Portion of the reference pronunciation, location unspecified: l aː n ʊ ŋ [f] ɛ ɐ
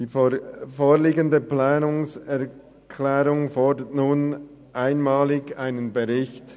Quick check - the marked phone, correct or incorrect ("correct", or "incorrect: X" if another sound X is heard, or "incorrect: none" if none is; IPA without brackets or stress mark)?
incorrect: s